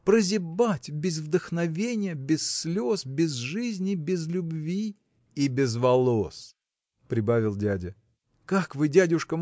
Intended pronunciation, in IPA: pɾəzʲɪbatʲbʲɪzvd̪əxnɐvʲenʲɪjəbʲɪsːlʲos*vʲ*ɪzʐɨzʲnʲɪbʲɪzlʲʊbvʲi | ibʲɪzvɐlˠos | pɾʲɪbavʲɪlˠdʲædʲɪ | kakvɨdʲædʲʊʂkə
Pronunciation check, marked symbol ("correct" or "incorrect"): incorrect